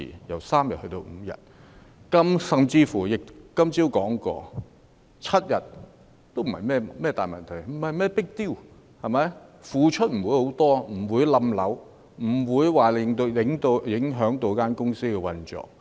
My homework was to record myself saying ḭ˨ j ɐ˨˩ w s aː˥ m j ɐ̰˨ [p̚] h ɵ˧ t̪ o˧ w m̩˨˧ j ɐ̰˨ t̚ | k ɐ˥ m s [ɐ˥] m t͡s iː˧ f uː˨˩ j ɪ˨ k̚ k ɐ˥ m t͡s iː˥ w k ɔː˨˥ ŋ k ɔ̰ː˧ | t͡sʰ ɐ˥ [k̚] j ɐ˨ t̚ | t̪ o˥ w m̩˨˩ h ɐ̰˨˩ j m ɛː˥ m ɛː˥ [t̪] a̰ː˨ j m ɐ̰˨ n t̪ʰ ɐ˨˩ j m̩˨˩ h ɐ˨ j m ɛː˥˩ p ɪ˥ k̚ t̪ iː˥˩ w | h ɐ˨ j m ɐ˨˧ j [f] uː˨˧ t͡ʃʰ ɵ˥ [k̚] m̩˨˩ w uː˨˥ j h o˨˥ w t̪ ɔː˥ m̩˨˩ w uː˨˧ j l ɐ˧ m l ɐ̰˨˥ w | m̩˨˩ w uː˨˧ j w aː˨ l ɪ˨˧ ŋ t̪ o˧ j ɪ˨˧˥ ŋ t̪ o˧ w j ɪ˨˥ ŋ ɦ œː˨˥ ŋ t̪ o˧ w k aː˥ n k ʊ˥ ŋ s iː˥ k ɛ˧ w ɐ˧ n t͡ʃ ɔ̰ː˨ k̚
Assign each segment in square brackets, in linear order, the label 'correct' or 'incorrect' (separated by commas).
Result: incorrect, incorrect, incorrect, correct, correct, incorrect